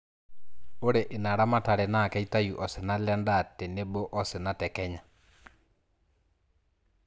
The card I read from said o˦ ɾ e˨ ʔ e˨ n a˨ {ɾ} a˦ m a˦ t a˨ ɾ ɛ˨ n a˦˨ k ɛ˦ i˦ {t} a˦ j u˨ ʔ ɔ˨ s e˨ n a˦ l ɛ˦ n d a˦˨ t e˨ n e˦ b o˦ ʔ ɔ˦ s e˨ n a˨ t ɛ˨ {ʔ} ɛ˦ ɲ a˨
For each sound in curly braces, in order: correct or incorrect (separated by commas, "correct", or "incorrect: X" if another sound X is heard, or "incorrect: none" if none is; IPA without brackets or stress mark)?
correct, correct, incorrect: k